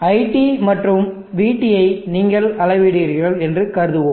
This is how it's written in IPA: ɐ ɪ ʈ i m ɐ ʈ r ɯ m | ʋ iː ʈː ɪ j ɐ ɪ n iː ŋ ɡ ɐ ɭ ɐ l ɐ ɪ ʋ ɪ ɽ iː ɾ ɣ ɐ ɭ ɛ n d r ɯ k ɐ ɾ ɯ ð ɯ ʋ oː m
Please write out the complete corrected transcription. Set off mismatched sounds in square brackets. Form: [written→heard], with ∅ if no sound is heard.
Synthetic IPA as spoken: ɐ ɪ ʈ i m ɐ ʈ r ɯ m | ʋ iː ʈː ɪ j ɐ ɪ n iː ŋ ɡ ɐ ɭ ɐ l ɐ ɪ ʋ ɪ ɽ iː ɾ ɣ ɐ ɭ ɛ n d r ɯ k ɐ ɾ ɯ ð ɯ ʋ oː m